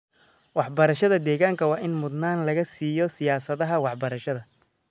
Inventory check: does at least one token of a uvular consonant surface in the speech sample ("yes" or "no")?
no